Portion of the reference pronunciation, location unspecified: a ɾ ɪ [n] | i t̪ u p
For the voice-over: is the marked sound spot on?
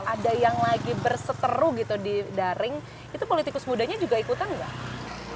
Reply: no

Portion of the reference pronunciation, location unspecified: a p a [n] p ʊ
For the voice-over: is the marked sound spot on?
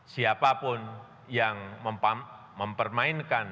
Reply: no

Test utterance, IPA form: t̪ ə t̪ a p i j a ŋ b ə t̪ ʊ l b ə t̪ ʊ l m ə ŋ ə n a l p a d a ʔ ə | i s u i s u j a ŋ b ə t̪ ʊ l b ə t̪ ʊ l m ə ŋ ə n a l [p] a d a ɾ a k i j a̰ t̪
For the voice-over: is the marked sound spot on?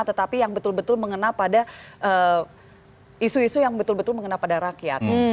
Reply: yes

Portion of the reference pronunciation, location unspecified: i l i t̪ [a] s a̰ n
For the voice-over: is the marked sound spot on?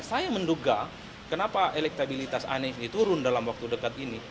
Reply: yes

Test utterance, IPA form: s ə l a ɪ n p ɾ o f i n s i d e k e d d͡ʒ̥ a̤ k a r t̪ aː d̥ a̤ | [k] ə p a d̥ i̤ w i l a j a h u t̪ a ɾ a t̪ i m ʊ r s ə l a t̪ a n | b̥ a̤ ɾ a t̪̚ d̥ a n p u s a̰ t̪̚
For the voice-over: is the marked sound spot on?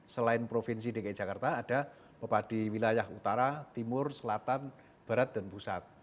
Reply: no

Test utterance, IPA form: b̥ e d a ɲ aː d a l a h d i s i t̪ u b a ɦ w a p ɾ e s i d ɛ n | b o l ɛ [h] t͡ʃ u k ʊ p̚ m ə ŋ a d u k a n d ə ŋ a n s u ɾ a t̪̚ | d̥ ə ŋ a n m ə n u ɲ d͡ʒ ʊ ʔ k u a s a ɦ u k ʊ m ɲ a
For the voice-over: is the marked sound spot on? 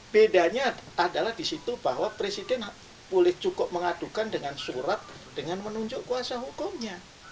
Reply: yes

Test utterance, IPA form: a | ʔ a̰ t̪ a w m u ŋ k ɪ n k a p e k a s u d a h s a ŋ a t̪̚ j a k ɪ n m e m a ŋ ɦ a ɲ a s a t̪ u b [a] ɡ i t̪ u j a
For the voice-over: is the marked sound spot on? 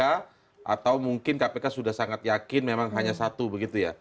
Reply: no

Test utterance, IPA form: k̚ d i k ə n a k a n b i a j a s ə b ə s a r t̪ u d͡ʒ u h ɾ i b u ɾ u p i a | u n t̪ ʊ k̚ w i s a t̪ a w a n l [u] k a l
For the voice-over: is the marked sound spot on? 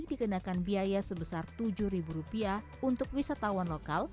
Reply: no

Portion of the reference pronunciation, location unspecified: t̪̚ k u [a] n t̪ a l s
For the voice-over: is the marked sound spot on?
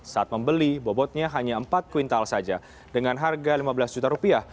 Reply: no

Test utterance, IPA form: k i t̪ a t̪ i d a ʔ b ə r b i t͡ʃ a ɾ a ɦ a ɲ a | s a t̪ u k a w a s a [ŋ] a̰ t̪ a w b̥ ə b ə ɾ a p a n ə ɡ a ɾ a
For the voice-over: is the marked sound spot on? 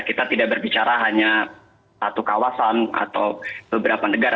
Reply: no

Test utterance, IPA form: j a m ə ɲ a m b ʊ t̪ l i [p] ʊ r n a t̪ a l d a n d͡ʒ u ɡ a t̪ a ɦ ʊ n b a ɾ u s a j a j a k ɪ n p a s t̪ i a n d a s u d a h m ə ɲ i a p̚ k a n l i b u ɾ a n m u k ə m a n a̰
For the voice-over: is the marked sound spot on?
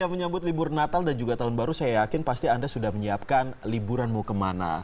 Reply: no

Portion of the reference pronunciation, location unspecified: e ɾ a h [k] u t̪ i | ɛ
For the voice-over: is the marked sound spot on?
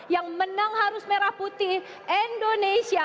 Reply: no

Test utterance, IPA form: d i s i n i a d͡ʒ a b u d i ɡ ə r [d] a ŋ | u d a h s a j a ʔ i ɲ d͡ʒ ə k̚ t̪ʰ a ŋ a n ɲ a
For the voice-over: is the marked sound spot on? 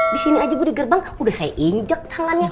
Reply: no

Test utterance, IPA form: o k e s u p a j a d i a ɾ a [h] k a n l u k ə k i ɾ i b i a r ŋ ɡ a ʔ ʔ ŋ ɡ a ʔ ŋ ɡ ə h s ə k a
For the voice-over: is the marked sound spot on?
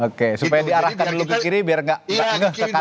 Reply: yes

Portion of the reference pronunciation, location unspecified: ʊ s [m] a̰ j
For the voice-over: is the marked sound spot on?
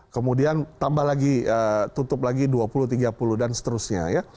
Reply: no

